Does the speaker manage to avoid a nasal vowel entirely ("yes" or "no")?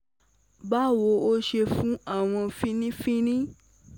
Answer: no